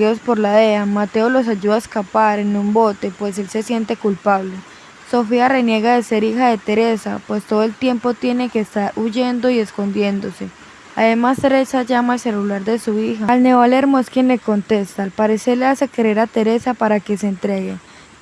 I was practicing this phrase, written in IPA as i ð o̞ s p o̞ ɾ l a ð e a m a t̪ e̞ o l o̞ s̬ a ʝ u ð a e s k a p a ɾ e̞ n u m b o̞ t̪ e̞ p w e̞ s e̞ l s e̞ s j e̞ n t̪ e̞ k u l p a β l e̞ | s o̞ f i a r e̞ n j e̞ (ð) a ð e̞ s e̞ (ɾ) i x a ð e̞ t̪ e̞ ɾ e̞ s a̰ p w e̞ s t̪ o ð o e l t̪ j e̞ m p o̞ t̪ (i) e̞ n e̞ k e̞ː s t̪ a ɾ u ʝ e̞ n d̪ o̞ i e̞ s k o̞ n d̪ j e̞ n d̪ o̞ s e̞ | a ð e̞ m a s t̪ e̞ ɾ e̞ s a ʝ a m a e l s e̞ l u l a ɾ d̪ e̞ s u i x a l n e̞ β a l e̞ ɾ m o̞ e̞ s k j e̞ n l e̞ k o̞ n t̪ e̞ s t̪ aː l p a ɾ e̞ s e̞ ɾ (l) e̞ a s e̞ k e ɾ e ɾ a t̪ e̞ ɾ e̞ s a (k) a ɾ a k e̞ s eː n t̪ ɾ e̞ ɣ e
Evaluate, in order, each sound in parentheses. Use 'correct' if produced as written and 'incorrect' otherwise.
incorrect: ɣ, correct, incorrect: j, correct, incorrect: p

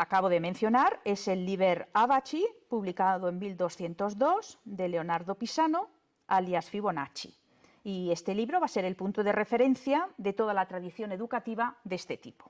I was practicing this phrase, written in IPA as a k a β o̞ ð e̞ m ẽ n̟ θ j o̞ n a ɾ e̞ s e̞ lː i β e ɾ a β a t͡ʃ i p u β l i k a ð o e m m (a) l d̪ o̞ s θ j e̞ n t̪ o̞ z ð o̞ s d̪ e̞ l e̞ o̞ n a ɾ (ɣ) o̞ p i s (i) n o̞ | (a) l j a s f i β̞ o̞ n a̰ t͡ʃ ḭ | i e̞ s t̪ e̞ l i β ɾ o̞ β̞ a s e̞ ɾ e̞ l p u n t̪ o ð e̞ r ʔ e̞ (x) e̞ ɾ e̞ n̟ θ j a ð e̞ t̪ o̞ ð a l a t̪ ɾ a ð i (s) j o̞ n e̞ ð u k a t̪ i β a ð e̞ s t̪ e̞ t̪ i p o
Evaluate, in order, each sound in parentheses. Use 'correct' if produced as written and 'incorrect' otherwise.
incorrect: i, incorrect: ð, incorrect: a, correct, incorrect: f, incorrect: θ

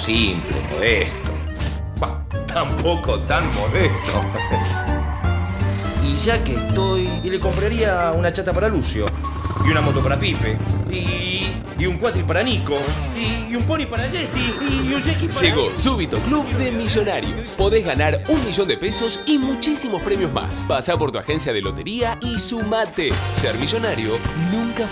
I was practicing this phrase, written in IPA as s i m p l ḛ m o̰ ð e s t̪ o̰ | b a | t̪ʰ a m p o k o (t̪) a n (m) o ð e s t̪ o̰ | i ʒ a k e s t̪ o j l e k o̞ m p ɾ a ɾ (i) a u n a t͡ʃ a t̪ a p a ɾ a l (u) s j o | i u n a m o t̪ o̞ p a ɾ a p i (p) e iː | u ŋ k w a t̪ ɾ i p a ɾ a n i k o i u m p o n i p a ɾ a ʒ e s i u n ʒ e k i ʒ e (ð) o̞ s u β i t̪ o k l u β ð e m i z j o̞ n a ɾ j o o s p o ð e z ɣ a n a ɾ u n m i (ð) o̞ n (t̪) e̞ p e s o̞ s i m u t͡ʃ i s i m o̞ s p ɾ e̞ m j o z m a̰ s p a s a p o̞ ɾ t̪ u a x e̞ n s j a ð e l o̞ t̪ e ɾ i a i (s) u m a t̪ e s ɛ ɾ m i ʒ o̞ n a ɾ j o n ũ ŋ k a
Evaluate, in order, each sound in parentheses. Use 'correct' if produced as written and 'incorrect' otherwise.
correct, correct, correct, correct, correct, incorrect: ɣ, incorrect: ʒ, incorrect: d̪, correct

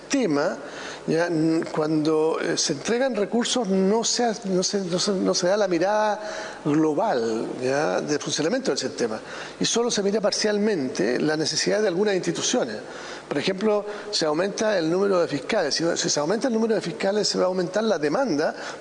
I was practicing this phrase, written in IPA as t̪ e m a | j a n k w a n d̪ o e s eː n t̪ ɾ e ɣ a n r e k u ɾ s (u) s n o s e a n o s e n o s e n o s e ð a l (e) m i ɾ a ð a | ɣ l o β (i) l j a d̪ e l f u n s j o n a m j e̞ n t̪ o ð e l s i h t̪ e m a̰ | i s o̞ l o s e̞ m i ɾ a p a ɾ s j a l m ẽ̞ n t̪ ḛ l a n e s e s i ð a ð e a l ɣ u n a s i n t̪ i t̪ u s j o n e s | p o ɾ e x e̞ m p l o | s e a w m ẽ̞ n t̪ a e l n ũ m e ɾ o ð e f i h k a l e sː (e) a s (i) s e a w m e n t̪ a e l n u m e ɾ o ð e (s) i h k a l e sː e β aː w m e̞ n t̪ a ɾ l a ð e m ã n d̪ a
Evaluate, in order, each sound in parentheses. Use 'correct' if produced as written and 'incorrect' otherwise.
incorrect: o, incorrect: a, incorrect: a, incorrect: i, correct, incorrect: f

